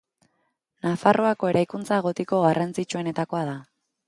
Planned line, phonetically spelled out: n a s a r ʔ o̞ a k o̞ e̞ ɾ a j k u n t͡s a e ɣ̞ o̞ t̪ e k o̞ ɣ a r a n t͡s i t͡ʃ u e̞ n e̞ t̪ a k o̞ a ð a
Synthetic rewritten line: n a f a r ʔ o̞ a k o̞ e̞ ɾ a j k u n t͡s a e ɣ̞ o̞ t̪ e k o̞ ɣ a r a n t͡s i t͡ʃ u e̞ n e̞ t̪ a k o̞ a ð a